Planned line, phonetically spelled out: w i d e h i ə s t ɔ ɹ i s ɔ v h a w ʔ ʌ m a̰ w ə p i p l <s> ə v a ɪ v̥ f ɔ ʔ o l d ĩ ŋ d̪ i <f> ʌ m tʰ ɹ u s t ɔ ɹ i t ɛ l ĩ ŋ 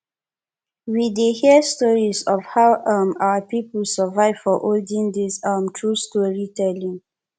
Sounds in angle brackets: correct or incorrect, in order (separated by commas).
correct, incorrect